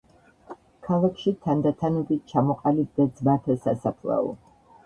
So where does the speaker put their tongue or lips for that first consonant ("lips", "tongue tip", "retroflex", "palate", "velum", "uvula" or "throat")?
velum